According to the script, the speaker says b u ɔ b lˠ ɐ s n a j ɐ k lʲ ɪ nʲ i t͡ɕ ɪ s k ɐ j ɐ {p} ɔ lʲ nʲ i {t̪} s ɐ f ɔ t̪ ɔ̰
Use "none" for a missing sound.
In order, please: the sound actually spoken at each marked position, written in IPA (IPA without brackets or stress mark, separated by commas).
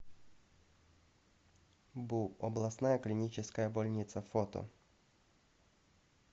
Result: b, t̪